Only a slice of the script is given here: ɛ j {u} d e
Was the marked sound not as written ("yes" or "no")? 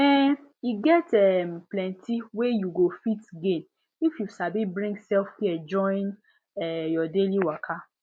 yes